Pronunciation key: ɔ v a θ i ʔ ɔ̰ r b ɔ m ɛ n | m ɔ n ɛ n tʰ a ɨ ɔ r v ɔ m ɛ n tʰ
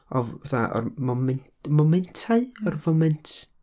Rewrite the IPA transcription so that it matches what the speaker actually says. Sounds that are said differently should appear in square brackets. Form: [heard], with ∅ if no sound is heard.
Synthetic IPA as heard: ɔ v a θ [a] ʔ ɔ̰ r [m] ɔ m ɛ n | m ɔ [m] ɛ n tʰ a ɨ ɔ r v ɔ m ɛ n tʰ